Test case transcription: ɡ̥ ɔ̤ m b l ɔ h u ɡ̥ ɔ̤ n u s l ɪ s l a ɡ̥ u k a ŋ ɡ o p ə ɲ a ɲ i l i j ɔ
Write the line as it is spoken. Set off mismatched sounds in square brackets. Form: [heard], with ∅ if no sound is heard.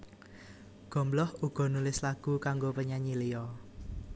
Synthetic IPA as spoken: ɡ̥ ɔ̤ m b l ɔ h u ɡ̥ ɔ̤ n u [∅] l ɪ s l a ɡ̥ u k a ŋ ɡ o p ə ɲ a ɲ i l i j ɔ